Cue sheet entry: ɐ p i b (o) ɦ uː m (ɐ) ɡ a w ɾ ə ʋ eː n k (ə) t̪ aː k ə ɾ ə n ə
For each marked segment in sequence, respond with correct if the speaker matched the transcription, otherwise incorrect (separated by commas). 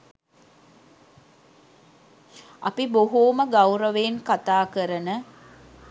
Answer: correct, incorrect, incorrect